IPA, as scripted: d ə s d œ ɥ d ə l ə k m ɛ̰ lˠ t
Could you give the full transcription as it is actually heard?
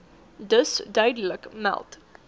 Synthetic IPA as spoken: d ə s d œ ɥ d ə l ə k m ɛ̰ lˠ t